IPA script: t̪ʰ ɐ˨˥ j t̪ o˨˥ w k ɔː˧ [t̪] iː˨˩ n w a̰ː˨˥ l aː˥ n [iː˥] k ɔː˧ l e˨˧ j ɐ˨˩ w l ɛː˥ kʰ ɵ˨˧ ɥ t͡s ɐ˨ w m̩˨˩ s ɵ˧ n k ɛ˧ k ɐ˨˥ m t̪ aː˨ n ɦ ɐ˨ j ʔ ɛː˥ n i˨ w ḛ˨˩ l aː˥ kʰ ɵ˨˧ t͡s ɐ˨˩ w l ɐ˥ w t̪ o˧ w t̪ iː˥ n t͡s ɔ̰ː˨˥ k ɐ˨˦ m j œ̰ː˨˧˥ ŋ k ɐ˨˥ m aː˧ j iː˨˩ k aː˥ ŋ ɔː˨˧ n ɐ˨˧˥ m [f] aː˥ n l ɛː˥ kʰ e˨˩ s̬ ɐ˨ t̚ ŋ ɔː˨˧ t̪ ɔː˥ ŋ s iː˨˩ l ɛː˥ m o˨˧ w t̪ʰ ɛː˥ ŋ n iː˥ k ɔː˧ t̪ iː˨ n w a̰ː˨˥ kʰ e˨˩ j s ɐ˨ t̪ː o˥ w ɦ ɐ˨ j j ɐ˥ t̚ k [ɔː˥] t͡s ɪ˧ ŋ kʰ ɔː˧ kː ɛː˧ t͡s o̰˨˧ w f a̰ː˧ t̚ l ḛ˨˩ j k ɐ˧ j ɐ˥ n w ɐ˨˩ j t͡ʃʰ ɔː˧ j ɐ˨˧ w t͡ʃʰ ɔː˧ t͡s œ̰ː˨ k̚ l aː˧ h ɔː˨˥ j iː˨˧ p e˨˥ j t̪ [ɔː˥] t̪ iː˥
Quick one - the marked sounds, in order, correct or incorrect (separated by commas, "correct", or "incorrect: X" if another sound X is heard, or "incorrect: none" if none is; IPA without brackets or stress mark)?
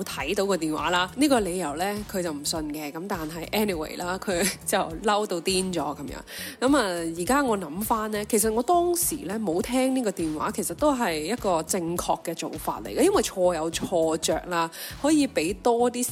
correct, correct, correct, incorrect: ɔː˧, correct